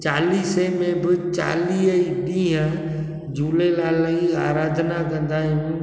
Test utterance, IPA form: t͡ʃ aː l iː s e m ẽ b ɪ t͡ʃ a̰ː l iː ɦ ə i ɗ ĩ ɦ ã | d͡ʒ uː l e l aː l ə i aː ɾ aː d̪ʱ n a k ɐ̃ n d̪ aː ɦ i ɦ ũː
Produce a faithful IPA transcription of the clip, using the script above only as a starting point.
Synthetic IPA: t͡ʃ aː l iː s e m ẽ b ɪ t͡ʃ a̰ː l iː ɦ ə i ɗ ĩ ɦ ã | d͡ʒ uː l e l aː l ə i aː ɾ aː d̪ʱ n a k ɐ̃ n d̪ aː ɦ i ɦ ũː